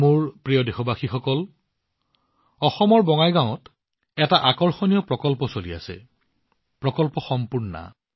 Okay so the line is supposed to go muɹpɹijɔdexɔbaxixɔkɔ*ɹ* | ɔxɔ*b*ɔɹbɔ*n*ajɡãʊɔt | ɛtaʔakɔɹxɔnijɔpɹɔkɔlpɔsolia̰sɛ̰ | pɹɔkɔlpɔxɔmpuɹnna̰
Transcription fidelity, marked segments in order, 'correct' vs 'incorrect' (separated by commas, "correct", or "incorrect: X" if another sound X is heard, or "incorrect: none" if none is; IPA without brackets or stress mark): incorrect: l, incorrect: m, incorrect: ŋ